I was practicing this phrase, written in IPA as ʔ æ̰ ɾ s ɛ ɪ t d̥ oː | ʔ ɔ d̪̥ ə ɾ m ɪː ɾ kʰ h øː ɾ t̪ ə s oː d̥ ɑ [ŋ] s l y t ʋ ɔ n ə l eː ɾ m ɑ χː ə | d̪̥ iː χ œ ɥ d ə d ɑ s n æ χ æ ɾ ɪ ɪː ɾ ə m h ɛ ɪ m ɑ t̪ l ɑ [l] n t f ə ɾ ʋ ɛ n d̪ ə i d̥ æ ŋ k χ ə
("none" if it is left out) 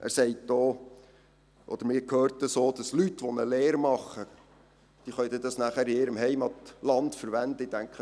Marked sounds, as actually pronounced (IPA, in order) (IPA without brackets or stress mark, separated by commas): none, none